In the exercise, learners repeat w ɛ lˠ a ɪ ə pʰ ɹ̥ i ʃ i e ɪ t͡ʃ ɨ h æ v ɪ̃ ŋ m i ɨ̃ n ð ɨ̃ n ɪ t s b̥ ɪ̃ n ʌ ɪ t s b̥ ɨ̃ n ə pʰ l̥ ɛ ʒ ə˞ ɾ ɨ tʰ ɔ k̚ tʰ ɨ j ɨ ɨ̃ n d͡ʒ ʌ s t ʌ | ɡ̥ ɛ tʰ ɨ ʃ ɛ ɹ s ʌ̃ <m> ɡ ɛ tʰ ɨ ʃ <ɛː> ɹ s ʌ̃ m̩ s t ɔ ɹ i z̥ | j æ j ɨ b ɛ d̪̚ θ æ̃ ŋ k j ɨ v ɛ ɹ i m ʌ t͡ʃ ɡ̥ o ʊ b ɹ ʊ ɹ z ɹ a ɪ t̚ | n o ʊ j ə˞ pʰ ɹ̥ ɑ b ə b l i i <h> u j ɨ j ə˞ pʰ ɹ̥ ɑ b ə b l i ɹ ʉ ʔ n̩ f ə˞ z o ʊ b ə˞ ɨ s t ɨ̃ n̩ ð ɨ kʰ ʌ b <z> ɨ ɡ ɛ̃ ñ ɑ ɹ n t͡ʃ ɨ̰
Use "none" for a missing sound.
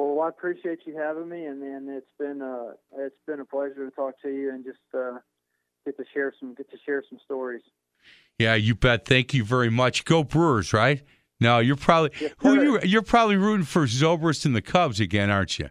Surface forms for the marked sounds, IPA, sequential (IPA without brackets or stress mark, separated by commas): m, ɛ, h, z